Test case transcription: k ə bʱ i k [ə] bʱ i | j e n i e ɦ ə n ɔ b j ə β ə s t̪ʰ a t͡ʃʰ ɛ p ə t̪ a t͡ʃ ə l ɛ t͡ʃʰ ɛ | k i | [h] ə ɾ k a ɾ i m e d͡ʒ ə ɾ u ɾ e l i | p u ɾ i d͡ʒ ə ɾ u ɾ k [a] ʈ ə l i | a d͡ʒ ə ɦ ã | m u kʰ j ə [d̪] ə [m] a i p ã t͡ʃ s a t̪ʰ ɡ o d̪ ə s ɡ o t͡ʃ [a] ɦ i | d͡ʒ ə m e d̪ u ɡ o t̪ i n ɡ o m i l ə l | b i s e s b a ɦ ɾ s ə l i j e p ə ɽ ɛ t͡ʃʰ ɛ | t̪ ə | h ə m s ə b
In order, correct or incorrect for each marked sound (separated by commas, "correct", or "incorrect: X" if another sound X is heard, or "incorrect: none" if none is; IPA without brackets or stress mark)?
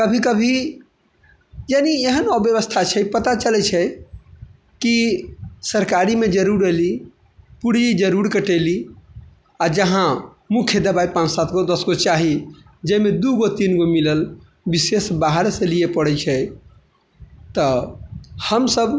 correct, incorrect: s, incorrect: ə, correct, incorrect: b, correct